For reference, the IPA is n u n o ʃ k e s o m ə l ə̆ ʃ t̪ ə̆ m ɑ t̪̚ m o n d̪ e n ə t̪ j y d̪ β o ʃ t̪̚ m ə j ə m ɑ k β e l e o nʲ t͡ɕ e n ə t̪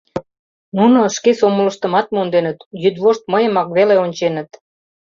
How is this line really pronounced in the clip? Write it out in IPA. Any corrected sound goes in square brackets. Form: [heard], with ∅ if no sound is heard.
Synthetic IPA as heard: n u n o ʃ k e s o m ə l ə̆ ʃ t̪ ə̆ m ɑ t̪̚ m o n d̪ e n ə t̪ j y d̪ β o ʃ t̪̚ m ə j ə m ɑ k β e l e o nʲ t͡ɕ e n ə t̪

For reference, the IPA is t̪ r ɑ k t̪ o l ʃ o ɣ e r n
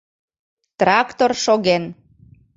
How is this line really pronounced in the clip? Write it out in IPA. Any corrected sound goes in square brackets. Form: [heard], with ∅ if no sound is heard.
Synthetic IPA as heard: t̪ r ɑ k t̪ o [r] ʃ o ɣ e [∅] n

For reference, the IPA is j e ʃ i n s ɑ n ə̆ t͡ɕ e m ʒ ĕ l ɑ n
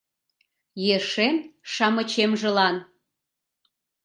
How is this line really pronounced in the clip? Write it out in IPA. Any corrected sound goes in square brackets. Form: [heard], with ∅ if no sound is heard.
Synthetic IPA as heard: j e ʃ [e] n [ʃ] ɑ [m] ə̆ t͡ɕ e m ʒ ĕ l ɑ n

